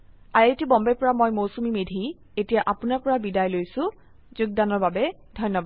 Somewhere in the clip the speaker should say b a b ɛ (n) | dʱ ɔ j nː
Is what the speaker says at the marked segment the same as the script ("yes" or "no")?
no